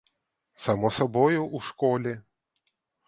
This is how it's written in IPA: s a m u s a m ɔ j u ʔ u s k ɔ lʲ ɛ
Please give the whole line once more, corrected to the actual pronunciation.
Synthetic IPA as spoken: s a m ɔ s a b ɔ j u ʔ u ʂ k ɔ lʲ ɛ